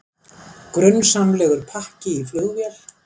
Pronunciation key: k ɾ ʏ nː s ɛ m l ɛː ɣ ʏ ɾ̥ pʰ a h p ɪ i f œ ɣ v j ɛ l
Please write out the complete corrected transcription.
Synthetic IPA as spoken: k ɾ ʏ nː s a m l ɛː ɣ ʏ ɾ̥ pʰ a h c ɪ i f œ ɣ v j ɛ l

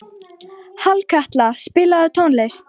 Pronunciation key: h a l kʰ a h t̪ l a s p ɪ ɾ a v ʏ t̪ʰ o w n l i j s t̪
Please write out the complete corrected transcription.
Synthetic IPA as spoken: h a l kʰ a h t̪ l a s p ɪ l a ð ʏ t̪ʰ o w n l e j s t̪

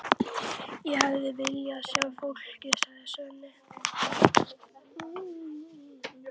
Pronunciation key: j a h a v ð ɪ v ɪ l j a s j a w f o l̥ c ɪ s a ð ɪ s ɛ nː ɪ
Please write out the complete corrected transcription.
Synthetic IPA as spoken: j ɛ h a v ð ɪ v ɪ l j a s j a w f o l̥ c ɪ s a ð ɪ s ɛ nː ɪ

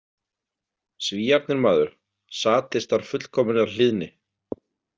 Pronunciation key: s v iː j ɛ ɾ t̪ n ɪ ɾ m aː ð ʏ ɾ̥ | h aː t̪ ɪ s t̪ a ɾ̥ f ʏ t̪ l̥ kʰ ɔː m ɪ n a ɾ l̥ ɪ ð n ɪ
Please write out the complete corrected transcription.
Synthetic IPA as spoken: s v iː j a ɾ t̪ n ɪ ɾ m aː ð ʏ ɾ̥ | s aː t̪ ɪ s t̪ a ɾ̥ f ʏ t̪ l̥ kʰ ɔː m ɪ n a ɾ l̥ ɪ ð n ɪ

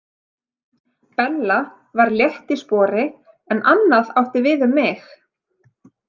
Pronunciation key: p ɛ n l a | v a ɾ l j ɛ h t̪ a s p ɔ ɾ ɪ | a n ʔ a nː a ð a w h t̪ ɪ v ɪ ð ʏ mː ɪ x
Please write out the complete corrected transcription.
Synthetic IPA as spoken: p ɛ n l a | v a ɾ l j ɛ h t̪ i s p ɔː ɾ ɪ | ɛ n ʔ a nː a ð a w h t̪ ɪ v ɪ ð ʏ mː ɪ x

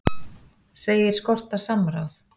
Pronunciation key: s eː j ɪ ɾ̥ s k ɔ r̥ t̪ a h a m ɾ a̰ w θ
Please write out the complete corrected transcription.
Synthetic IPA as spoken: s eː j ɪ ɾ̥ s k ɔ r̥ t̪ a s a m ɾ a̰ w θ

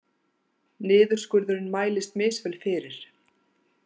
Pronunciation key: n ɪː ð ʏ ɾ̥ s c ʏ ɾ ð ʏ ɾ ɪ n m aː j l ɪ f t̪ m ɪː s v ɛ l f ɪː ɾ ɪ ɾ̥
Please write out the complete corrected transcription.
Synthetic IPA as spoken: n ɪː ð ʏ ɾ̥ s k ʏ ɾ ð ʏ ɾ ɪ n m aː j l ɪ s t̪ m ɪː s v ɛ l f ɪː ɾ ɪ ɾ̥

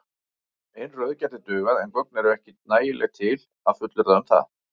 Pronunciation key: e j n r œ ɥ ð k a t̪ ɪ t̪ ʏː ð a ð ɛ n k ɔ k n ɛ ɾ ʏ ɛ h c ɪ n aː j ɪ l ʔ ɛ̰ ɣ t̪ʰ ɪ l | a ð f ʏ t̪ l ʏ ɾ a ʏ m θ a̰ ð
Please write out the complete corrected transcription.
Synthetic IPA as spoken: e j n r œ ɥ ð c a t̪ ɪ t̪ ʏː ɣ a ð ɛ n k ɔ k n ɛ ɾ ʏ ɛ h c ɪ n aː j ɪ l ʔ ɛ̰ ɣ t̪ʰ ɪ l | a ð f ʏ t̪ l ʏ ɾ a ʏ m θ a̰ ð

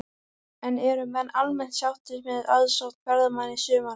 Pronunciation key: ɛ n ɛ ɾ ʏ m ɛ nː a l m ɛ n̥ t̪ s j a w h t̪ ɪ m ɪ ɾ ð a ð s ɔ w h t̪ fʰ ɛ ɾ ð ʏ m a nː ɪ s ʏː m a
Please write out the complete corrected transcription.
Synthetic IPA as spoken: ɛ n ɛ ɾ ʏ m ɛ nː a l m ɛ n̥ t̪ s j a w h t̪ ɪ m ɪ ð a ð s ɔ w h t̪ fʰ ɛ ɾ ð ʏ m a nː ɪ s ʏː m a

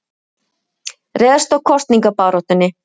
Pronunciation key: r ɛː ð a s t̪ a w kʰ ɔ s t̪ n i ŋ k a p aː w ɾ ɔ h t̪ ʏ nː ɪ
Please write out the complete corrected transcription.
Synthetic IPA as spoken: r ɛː ð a s t̪ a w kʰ ɔ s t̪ n i ŋ k a p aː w ɾ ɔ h t̪ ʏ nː ɪ

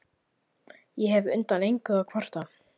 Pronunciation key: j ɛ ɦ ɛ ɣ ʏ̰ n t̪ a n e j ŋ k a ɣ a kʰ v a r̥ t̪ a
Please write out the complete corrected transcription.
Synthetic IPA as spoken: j ɛ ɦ ɛ v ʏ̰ n t̪ a n e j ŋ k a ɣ a kʰ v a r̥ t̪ a

